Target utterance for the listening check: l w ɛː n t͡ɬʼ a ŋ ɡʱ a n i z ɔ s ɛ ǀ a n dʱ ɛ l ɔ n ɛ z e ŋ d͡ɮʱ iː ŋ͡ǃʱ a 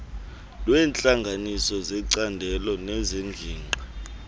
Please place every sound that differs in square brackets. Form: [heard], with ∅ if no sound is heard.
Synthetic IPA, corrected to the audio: l w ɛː n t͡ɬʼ a ŋ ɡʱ a n i [s] ɔ [z] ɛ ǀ a n dʱ ɛ l ɔ n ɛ z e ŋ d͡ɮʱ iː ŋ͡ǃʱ a